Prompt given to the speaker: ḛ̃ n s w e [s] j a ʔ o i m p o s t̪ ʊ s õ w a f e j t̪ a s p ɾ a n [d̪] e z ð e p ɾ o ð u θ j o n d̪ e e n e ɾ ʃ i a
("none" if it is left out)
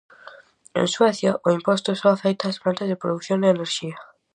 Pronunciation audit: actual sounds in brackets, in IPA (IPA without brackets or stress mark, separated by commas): θ, t̪